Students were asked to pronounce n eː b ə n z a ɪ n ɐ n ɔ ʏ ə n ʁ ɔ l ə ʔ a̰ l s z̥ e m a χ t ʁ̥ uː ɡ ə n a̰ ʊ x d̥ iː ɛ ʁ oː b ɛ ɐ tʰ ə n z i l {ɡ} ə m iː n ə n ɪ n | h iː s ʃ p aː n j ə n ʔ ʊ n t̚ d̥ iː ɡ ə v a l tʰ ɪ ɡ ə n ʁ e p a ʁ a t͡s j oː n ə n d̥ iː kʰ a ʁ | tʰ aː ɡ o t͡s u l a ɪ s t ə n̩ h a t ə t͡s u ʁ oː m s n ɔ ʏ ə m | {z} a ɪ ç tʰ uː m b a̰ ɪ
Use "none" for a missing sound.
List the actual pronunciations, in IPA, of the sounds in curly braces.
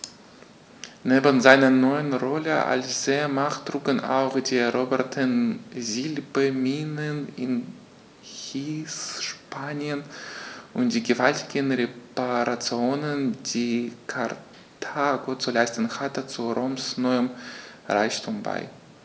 b, ʁ

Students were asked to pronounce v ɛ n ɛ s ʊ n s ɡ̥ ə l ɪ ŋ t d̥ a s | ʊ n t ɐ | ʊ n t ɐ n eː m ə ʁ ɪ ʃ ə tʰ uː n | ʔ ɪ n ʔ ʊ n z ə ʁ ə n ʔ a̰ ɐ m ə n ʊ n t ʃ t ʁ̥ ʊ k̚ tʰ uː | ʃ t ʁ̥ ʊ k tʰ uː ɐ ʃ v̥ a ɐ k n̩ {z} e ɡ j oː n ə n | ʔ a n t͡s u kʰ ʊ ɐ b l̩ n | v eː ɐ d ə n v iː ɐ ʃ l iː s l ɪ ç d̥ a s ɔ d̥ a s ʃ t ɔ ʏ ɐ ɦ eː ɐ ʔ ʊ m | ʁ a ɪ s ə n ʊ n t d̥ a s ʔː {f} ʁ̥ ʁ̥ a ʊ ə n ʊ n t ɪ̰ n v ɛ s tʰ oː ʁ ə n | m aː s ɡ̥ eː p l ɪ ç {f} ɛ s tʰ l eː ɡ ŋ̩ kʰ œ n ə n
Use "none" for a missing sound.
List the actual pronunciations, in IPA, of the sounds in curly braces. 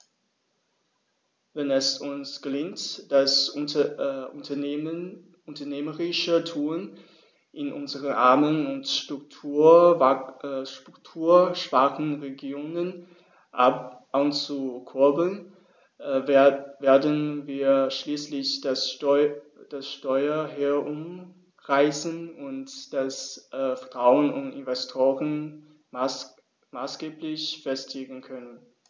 ʁ, f, f

